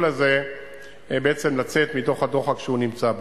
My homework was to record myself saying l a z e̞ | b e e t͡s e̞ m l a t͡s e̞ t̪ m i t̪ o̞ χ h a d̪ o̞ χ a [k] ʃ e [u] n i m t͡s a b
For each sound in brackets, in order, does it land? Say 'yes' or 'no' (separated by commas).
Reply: yes, yes